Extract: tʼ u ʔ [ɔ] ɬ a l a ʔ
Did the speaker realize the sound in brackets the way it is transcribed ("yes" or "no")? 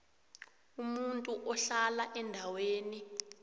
yes